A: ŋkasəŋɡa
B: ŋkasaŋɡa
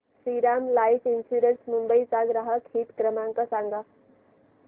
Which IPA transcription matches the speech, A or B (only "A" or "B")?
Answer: B